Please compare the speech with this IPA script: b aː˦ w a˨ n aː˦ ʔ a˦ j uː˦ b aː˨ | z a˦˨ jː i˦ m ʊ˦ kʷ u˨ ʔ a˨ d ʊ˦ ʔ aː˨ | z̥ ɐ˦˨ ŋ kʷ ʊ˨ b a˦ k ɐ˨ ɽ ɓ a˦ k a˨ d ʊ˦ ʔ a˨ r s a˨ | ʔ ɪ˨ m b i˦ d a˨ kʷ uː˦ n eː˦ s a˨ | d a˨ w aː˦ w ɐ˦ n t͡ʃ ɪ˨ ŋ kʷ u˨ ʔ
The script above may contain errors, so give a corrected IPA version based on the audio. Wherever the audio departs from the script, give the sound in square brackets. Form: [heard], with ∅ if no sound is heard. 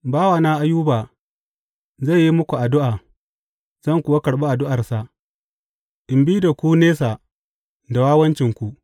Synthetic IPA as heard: b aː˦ w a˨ n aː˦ ʔ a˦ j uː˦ b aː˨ | z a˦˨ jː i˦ m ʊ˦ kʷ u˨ ʔ a˨ d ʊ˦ ʔ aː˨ | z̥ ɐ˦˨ ŋ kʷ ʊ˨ [w] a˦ k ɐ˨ ɽ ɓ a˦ [ʔ] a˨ d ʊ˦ ʔ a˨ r s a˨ | ʔ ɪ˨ m b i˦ d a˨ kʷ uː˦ n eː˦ s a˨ | d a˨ w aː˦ w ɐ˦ n t͡ʃ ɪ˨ ŋ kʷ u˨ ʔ